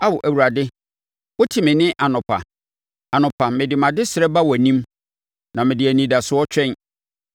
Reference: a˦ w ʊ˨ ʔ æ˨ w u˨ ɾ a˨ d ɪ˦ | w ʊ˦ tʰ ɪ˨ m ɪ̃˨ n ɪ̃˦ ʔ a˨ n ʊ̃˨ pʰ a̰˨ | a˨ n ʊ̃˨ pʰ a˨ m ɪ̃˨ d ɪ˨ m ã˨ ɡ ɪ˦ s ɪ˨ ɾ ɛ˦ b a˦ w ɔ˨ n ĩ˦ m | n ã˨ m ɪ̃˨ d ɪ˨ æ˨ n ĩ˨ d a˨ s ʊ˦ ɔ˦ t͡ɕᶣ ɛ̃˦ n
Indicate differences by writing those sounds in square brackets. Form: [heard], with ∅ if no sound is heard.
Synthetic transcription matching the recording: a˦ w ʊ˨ ʔ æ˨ w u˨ ɾ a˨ d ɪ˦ | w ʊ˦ tʰ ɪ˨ m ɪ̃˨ n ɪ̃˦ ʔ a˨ n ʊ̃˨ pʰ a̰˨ | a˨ n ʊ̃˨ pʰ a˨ m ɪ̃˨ d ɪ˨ m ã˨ [d] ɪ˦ s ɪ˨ ɾ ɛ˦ b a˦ w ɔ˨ n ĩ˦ m | n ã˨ m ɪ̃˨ d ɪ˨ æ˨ n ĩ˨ d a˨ s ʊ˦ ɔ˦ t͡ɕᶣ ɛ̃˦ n